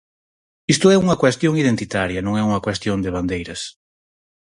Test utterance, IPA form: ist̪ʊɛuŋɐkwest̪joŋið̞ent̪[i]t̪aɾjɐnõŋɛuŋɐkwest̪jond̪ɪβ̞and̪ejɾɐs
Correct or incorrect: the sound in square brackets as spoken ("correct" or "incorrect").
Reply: correct